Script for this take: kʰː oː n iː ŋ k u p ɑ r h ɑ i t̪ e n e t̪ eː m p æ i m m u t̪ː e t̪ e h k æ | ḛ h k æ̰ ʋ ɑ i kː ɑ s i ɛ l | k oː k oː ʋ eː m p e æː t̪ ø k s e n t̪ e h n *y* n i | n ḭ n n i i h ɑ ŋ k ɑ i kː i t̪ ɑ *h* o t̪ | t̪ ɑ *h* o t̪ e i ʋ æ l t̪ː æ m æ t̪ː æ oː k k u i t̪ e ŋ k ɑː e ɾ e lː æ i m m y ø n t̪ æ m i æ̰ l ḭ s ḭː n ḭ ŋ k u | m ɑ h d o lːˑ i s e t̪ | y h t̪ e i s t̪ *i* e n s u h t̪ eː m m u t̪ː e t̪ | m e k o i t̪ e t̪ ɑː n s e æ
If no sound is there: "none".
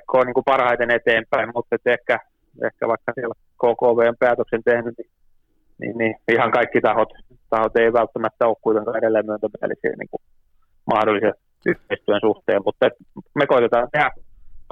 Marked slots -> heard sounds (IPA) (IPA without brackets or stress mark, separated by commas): y, h, h, y